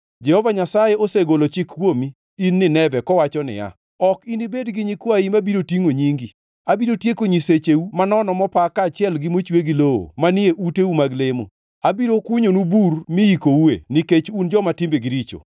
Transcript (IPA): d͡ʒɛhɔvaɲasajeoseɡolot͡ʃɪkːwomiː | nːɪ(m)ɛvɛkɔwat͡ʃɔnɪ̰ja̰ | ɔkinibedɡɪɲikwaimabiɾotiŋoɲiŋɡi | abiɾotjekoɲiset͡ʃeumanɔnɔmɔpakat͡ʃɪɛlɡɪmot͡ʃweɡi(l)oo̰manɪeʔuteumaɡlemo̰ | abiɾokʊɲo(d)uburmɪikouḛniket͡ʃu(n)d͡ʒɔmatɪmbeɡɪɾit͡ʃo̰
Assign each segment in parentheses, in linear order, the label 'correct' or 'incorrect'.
incorrect: n, correct, incorrect: n, correct

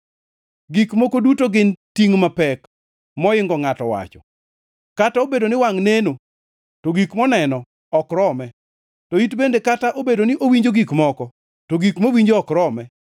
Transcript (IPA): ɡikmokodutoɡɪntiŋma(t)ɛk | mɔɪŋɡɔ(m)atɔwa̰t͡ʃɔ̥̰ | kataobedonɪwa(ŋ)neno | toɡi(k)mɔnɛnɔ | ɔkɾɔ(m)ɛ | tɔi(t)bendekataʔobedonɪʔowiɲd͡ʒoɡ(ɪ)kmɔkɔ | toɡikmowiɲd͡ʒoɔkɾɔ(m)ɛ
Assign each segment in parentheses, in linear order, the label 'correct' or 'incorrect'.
incorrect: p, incorrect: ŋ, correct, correct, correct, correct, incorrect: i, correct

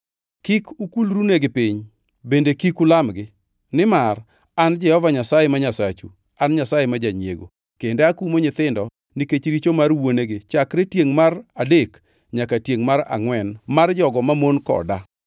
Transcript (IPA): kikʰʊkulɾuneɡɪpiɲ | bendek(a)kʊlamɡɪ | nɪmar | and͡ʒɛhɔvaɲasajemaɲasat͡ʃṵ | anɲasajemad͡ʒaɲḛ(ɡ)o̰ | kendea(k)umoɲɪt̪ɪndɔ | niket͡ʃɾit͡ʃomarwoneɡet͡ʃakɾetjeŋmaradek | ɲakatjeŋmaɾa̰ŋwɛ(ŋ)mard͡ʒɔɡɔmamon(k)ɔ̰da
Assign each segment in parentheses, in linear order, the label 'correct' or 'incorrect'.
incorrect: i, correct, correct, incorrect: n, correct

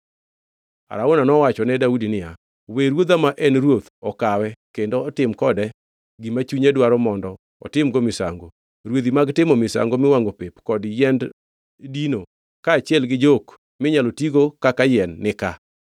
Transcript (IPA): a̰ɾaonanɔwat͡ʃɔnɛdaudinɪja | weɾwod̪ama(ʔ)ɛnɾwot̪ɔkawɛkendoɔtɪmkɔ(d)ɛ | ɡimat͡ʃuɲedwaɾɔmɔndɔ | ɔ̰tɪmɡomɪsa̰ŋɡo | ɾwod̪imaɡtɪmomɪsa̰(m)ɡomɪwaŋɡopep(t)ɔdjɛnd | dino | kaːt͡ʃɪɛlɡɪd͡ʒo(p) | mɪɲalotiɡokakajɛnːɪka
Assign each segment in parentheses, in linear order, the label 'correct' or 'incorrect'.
correct, correct, incorrect: ŋ, incorrect: k, incorrect: k

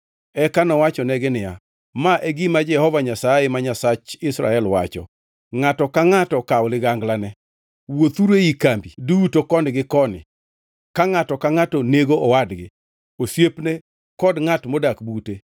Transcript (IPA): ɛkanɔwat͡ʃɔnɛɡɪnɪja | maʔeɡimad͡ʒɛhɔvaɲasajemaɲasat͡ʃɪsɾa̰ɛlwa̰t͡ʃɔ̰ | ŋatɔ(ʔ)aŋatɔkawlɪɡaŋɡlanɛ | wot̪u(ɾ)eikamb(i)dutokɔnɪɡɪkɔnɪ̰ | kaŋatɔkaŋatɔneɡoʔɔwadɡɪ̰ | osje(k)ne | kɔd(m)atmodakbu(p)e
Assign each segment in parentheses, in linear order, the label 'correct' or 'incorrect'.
incorrect: k, correct, correct, incorrect: p, incorrect: ŋ, incorrect: t

